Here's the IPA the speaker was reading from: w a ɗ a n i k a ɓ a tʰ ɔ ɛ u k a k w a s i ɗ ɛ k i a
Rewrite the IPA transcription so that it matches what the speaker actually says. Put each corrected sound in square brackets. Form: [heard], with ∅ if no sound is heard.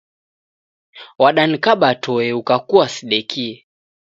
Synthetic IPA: w a ɗ a n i k a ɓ a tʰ ɔ ɛ u k a k [u] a s i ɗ ɛ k i [ɛ]